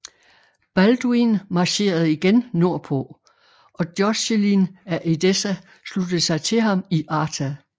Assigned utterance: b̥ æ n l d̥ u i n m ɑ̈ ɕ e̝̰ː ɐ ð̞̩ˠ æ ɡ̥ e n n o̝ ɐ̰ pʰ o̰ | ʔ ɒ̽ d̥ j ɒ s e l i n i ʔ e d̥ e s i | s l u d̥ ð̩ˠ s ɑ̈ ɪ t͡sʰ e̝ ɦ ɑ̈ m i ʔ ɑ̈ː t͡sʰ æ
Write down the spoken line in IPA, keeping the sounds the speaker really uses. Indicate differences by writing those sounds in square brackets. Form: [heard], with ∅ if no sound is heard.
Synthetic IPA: b̥ æ [∅] l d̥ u i n m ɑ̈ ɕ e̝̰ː ɐ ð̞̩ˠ [i] ɡ̥ e n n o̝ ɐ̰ pʰ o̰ | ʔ ɒ̽ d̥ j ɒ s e l i n [æ] ʔ e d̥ e s [æ] | s l u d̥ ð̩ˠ s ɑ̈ ɪ t͡sʰ e̝ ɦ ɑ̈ m i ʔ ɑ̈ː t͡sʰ æ